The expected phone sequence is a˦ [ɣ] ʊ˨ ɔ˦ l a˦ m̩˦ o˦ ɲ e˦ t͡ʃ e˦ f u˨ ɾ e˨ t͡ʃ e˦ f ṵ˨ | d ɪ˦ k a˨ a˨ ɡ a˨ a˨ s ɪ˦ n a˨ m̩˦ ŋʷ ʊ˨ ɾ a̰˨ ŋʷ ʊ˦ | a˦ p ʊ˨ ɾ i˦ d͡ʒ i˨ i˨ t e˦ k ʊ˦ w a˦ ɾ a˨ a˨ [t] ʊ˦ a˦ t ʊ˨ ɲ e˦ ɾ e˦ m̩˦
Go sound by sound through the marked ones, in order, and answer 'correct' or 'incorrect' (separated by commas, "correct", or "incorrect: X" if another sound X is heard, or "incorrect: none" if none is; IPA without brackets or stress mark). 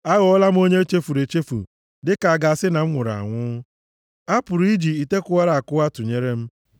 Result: correct, incorrect: k